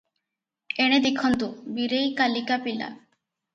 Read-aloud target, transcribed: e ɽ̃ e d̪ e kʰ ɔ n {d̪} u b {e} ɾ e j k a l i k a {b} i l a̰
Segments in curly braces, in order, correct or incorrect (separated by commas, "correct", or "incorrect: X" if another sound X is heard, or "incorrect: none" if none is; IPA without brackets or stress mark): incorrect: t̪, incorrect: i, incorrect: p